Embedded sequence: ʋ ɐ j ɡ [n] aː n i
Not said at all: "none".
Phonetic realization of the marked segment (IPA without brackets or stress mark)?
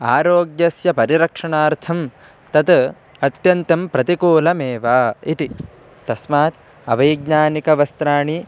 ɲ